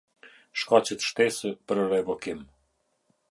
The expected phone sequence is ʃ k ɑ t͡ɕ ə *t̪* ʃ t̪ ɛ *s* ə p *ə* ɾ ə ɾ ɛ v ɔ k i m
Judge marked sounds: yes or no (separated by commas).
yes, yes, yes